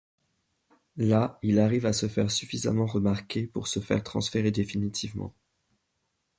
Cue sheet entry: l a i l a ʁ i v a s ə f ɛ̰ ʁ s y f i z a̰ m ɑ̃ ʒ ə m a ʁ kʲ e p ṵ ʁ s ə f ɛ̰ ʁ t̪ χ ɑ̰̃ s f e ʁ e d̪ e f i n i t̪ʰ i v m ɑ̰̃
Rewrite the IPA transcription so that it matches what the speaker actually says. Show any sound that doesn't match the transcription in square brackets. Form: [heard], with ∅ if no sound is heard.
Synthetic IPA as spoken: l a i l a ʁ i v a s ə f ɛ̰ ʁ s y f i z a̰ m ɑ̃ [ʁ] ə m a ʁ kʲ e p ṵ ʁ s ə f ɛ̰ ʁ t̪ χ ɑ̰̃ s f e ʁ e d̪ e f i n i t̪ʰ i v m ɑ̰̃